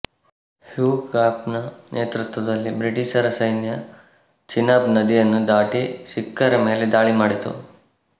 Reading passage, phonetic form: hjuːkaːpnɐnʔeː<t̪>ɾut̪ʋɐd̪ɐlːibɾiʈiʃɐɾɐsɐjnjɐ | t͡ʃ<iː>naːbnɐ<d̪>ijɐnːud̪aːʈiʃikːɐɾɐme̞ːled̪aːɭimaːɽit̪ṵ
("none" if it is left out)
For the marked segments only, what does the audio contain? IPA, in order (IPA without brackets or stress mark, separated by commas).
t̪, i, d̪